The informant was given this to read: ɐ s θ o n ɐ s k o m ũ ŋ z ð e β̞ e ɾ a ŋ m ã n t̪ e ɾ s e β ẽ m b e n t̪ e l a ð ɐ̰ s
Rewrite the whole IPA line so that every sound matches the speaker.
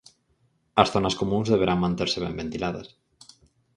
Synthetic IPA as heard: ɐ s θ o n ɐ s k o m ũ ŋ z ð e β̞ e ɾ a ŋ m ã n t̪ e ɾ s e β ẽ m b e n t̪ i l a ð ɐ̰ s